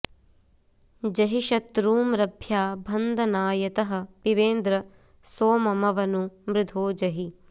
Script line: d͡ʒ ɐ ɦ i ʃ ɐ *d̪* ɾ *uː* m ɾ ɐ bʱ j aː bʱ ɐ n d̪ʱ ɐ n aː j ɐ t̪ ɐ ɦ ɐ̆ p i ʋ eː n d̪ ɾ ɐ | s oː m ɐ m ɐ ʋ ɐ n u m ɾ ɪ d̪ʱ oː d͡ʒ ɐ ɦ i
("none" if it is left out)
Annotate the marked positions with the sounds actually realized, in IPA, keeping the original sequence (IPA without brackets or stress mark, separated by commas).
t̪, uː